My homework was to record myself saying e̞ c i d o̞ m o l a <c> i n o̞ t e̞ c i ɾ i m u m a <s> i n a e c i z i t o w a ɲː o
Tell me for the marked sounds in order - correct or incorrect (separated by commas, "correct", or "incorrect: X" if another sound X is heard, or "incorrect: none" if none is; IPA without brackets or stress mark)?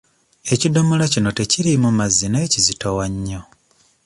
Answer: correct, incorrect: z